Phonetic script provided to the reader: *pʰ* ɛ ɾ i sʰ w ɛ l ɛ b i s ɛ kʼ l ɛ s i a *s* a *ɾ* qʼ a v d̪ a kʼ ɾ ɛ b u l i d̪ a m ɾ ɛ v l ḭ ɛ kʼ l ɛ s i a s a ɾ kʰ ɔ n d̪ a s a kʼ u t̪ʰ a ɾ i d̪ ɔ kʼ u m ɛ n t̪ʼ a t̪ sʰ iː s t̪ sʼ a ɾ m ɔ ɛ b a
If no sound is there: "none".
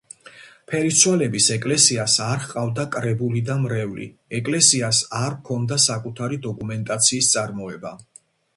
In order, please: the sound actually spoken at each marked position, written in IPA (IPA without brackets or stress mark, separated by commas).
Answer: pʰ, s, ɾ